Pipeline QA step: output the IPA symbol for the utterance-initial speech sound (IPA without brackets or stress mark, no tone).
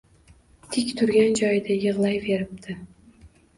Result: t̪ʰ